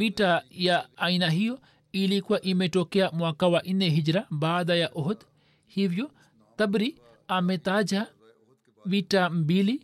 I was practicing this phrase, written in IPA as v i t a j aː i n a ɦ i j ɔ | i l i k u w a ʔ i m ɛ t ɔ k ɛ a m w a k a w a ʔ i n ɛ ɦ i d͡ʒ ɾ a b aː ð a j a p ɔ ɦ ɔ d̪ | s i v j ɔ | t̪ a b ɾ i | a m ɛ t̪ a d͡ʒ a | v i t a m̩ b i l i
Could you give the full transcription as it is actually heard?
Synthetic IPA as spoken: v i t a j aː i n a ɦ i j ɔ | i l i k u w a ʔ i m ɛ t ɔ k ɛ a m w a k a w a ʔ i n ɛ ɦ i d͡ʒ ɾ a b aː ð a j a ʔ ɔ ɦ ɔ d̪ | h i v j ɔ | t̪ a b ɾ i | a m ɛ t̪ a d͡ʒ a | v i t a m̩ b i l i